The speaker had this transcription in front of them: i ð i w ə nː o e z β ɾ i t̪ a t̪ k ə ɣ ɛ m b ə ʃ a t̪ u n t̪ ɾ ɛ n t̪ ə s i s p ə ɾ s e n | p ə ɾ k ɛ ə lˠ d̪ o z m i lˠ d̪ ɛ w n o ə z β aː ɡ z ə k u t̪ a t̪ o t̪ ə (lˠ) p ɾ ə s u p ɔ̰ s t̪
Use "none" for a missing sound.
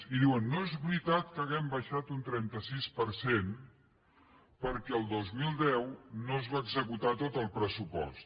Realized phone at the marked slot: lˠ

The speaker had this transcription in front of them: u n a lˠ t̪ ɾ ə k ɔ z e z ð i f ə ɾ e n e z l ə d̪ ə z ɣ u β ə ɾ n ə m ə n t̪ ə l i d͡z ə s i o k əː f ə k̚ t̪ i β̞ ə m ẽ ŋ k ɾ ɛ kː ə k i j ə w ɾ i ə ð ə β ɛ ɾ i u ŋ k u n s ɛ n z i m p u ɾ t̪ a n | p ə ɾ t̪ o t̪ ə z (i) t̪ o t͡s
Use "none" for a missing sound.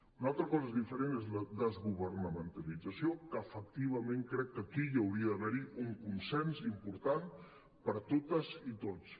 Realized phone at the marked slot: i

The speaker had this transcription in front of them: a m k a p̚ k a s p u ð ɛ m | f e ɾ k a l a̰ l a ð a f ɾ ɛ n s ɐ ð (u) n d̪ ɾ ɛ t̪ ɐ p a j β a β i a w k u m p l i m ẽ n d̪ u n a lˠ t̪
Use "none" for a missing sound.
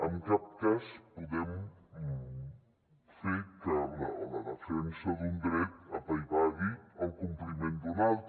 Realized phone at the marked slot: u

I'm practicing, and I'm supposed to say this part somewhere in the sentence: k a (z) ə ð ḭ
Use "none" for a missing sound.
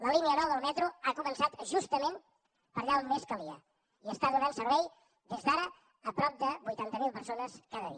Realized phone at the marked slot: ð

